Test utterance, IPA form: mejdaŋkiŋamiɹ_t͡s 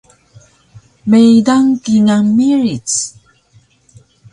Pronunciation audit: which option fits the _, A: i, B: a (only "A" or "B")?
A